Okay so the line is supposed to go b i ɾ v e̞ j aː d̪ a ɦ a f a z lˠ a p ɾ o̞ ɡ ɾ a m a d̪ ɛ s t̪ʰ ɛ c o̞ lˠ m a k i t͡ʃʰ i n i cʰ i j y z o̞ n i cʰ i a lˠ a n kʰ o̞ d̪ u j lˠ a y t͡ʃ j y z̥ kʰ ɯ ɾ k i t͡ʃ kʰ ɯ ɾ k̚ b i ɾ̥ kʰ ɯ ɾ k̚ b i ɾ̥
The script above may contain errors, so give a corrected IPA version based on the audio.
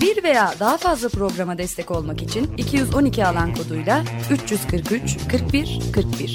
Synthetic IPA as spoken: b i ɾ v e̞ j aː d̪ a ɦ a f a z lˠ a p ɾ o̞ ɡ ɾ a m a d̪ ɛ s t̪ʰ ɛ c o̞ lˠ m a k i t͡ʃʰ i n i cʰ i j y z o̞ n i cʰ i a lˠ a n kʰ o̞ d̪ u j lˠ a y t͡ʃ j y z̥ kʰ ɯ ɾ k y t͡ʃ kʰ ɯ ɾ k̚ b i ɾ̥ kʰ ɯ ɾ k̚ b i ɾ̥